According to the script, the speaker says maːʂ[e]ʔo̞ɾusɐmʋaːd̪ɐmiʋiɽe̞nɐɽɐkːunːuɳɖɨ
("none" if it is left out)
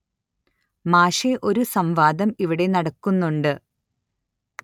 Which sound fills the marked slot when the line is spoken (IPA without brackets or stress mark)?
e